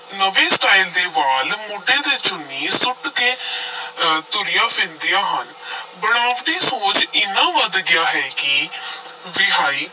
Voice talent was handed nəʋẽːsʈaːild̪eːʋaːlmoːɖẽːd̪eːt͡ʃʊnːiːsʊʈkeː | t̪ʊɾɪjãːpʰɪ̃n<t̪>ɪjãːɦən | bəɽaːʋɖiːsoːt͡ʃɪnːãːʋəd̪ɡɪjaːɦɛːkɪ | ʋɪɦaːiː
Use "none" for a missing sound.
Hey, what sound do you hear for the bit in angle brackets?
d̪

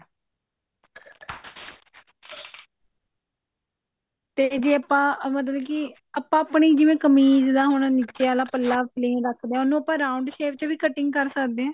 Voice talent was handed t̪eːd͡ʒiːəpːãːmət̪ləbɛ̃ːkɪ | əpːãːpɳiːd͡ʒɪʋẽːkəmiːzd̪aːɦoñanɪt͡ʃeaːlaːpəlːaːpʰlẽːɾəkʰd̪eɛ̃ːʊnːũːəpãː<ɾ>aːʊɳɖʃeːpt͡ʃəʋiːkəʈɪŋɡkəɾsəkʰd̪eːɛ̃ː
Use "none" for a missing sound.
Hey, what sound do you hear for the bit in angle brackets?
ɾ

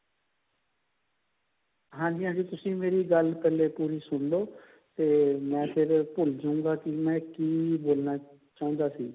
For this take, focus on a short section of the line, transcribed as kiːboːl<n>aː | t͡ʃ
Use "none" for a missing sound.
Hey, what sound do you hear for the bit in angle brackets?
n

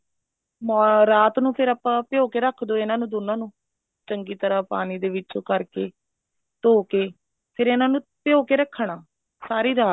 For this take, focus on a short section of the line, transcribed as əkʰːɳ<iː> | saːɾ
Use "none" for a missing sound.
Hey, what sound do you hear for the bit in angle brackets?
aː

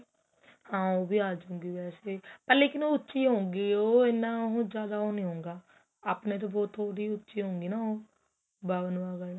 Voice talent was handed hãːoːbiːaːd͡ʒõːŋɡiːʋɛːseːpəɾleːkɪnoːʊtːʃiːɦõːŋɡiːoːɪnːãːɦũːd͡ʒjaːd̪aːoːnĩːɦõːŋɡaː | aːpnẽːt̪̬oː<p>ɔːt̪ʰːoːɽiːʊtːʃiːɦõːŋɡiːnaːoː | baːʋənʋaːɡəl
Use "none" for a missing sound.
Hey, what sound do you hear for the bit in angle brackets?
b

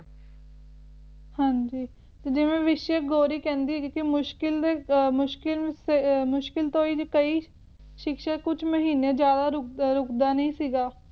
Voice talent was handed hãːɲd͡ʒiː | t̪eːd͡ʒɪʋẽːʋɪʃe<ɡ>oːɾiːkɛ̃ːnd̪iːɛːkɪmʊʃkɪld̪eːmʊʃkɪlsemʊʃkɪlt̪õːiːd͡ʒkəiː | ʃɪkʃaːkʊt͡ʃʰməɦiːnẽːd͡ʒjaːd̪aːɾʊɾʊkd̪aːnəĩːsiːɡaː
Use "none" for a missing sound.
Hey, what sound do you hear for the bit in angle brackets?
ɡ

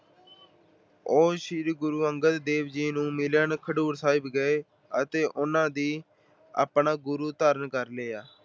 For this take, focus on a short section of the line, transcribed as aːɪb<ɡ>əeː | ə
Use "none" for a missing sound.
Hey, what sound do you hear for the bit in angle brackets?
ɡ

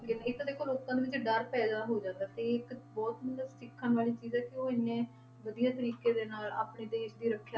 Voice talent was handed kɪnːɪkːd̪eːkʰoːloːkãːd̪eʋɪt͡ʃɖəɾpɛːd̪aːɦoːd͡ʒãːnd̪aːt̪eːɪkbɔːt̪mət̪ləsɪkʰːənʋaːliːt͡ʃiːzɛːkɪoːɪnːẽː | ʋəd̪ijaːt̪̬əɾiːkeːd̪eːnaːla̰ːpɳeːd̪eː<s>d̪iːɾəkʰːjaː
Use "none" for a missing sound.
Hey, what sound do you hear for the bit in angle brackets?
ʃ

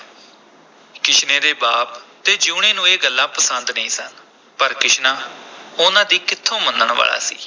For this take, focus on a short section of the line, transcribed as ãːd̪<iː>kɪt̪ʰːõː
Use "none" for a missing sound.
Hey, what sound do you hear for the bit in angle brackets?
iː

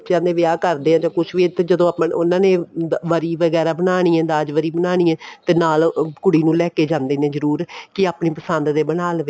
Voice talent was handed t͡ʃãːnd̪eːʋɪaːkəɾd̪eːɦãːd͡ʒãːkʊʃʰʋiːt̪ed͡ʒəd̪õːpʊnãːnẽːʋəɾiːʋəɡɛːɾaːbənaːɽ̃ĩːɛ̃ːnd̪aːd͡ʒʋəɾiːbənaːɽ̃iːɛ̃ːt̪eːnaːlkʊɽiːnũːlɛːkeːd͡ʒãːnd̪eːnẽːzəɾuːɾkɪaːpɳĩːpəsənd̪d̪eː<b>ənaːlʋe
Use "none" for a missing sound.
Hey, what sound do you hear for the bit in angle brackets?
b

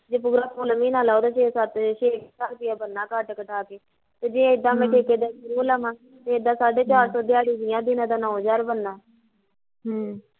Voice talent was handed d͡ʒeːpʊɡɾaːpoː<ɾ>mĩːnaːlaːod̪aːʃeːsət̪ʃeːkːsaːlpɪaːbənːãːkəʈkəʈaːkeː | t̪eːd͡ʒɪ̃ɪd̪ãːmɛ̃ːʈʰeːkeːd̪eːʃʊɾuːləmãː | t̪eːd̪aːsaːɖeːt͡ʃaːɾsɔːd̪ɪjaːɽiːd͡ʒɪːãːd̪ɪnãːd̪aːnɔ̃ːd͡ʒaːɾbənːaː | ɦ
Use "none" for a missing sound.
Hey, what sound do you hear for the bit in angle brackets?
l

